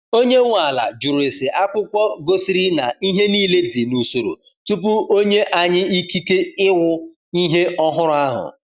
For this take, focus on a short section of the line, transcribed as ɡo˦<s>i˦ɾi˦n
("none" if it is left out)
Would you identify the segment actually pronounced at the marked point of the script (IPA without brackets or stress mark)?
s